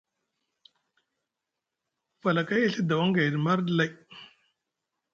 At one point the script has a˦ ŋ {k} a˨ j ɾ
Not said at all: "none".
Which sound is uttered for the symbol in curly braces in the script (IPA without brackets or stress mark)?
ɡ